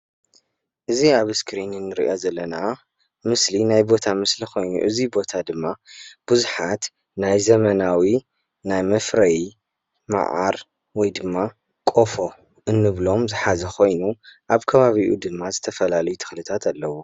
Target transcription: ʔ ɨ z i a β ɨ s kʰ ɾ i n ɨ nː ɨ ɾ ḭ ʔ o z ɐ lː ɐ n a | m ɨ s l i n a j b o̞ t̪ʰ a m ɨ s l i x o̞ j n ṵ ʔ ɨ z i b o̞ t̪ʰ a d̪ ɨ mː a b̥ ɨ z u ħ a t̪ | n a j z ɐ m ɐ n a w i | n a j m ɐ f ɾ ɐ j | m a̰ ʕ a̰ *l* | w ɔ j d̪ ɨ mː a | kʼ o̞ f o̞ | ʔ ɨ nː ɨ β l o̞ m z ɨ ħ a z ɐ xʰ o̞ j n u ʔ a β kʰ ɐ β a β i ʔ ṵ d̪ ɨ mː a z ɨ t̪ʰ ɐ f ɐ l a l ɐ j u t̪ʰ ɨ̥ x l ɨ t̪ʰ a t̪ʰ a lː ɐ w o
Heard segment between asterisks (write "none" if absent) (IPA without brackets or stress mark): ɾ